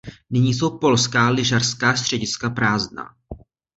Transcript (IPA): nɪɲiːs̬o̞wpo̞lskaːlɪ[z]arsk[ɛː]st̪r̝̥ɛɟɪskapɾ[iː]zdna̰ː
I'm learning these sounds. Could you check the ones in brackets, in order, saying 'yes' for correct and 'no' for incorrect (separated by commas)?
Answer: no, no, no